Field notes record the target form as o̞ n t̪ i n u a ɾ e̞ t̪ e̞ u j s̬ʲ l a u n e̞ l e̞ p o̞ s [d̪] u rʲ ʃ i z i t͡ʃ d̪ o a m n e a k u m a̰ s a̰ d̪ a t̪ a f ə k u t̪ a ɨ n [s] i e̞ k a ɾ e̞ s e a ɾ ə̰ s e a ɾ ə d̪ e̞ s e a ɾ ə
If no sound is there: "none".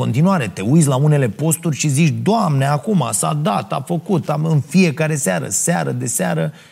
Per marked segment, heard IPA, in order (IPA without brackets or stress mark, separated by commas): t̪, f